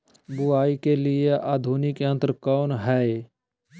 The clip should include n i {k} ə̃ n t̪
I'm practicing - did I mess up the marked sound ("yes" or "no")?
no